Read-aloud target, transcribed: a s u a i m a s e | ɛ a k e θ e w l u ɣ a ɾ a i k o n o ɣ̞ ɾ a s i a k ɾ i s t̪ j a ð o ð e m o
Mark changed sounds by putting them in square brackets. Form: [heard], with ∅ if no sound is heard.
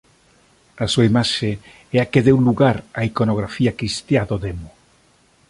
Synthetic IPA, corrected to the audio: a s u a i m a [ʃ] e | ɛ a k e [ð] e w l u ɣ a ɾ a i k o n o ɣ̞ ɾ a [f] i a k ɾ i s t̪ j a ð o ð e m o